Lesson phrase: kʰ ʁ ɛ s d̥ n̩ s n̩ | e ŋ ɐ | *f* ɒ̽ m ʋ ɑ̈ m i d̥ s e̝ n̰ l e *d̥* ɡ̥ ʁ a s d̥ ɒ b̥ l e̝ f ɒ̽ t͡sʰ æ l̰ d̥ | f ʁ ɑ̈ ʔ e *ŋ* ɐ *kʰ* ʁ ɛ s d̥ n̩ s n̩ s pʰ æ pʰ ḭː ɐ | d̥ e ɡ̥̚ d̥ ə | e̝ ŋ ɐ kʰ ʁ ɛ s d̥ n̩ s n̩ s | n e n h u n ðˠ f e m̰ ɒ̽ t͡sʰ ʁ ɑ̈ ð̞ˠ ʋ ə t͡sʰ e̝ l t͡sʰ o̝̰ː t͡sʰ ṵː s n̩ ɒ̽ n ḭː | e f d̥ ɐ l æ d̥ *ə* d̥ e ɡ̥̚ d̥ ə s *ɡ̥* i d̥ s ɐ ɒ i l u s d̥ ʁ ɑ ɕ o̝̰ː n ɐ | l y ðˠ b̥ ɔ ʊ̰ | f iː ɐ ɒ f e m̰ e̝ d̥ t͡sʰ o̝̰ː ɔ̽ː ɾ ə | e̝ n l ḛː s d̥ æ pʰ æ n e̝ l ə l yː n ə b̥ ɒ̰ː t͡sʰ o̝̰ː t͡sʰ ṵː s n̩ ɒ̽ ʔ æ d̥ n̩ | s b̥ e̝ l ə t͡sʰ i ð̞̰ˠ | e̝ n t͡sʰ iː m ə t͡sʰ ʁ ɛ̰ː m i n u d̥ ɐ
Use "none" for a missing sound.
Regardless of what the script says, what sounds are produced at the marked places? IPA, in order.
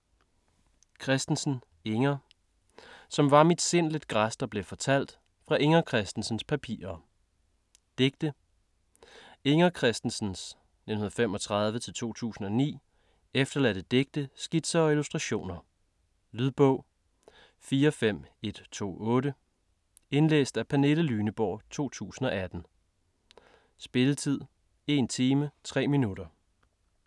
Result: s, d̥, ŋ, kʰ, ə, ɡ̥

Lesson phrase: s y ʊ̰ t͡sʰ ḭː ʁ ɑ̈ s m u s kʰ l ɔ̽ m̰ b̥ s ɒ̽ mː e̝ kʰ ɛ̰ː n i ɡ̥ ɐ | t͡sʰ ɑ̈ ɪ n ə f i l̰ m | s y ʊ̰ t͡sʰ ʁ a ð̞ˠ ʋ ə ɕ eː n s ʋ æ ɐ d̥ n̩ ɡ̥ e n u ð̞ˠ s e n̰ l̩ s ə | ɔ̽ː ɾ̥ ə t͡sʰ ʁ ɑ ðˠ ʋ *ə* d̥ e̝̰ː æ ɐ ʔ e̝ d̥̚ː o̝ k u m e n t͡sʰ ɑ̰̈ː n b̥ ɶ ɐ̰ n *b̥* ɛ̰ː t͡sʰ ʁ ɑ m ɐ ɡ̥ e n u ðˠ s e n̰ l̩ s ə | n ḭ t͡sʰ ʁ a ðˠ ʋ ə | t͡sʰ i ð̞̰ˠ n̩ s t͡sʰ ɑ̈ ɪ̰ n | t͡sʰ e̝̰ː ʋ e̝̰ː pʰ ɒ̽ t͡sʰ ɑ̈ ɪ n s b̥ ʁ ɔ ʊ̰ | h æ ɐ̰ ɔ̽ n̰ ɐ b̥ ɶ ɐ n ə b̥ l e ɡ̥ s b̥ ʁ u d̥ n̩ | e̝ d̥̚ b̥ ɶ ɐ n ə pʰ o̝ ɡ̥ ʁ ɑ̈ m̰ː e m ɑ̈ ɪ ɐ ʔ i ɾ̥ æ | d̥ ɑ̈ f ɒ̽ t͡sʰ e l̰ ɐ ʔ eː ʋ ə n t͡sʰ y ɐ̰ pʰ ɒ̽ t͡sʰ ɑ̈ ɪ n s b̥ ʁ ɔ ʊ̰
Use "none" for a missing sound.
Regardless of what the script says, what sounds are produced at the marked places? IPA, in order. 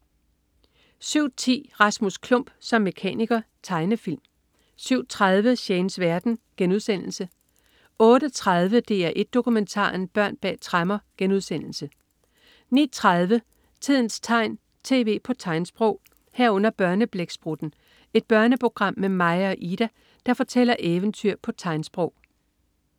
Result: ə, b̥

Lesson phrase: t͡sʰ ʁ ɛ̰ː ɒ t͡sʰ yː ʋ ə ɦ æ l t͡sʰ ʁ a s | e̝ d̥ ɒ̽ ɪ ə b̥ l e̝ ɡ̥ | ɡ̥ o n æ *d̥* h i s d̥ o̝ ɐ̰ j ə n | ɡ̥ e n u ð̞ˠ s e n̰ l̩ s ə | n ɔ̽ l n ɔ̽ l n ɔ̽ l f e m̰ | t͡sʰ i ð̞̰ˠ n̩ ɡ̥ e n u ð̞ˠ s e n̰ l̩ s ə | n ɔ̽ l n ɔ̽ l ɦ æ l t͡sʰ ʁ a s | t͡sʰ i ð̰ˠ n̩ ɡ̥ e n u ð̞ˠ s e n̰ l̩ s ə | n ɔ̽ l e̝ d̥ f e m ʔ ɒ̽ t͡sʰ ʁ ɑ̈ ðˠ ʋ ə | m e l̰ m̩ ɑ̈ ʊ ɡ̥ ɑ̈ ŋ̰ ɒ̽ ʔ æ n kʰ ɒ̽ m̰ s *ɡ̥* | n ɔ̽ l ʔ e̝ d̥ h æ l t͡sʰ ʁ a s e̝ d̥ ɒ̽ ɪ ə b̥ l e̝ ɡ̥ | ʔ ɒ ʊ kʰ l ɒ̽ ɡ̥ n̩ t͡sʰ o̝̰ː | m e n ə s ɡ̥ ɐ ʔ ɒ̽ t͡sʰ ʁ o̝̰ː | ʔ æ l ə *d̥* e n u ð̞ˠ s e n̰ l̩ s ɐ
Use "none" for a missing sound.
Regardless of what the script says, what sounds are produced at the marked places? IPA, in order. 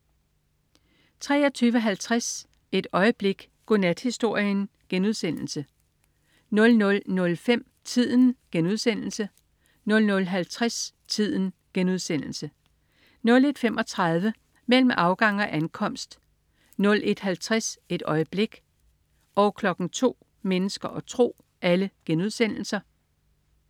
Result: d̥, d̥, ɡ̥

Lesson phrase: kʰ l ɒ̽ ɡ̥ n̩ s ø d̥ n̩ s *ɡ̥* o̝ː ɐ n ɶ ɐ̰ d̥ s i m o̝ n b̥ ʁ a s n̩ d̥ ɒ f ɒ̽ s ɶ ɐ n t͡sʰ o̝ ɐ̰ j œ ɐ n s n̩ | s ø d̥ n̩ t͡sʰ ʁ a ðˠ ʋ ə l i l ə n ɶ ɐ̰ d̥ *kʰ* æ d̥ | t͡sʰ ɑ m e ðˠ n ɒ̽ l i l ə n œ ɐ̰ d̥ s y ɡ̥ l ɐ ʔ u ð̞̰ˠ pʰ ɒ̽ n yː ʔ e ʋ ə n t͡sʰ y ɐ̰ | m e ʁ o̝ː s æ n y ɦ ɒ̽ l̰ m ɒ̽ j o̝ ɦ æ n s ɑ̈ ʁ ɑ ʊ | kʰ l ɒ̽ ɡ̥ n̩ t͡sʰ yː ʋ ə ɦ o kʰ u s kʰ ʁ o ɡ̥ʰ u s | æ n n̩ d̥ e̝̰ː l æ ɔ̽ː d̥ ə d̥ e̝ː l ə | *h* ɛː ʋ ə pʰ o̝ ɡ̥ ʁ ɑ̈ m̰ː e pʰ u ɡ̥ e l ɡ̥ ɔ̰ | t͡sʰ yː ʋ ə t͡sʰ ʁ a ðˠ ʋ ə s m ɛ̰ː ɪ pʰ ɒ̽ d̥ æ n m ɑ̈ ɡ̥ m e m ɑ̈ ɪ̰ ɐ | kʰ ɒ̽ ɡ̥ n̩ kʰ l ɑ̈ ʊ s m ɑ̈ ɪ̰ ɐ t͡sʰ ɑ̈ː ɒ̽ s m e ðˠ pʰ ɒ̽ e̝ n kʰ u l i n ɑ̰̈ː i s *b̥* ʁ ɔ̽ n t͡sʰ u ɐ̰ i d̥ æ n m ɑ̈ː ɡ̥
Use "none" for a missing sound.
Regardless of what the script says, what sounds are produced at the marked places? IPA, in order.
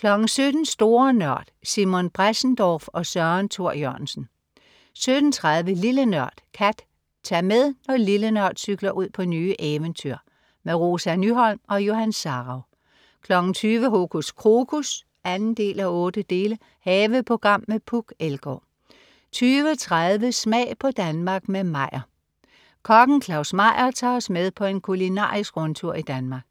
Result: d̥, kʰ, h, ɡ̥

